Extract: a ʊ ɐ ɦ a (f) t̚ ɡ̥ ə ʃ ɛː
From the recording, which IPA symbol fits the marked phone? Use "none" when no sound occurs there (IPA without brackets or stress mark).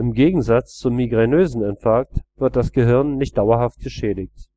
f